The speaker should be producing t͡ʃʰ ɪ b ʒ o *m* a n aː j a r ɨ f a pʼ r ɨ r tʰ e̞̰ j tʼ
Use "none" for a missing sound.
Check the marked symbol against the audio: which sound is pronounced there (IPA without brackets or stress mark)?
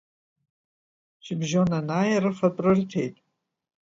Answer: n